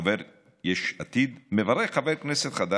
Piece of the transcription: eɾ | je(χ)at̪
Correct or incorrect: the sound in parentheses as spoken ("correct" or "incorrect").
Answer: incorrect